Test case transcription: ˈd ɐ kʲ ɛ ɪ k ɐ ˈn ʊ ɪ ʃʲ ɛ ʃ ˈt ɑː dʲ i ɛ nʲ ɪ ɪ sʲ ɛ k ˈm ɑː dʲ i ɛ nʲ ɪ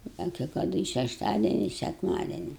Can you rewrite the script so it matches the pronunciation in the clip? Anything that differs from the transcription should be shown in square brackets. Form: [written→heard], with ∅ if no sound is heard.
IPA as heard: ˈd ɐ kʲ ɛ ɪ k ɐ [ˈn→ˈd] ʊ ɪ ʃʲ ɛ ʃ ˈt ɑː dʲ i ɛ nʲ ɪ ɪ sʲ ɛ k ˈm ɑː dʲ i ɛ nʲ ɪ